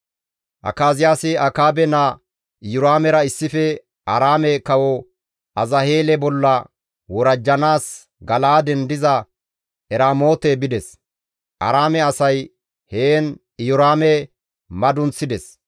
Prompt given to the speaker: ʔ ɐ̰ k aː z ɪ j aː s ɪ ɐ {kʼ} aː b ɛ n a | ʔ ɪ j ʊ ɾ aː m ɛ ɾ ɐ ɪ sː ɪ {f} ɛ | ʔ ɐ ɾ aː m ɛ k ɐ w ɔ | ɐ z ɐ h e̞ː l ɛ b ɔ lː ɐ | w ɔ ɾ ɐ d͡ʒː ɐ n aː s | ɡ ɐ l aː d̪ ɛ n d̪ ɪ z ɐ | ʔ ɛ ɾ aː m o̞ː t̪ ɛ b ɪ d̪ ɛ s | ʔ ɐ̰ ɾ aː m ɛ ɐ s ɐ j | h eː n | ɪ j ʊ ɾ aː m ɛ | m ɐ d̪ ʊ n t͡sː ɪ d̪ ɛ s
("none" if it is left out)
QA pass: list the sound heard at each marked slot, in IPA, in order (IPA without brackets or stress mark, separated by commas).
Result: k, f